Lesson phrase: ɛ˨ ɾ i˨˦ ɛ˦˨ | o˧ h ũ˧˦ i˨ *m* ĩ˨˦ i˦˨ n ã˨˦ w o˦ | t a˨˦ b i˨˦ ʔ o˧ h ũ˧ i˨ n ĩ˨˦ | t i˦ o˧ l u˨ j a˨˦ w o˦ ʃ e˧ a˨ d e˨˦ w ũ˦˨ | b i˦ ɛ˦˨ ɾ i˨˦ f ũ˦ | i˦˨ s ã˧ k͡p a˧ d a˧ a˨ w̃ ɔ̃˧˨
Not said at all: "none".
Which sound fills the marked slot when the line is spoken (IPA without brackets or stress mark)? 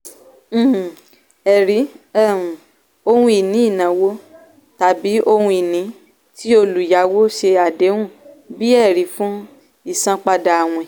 n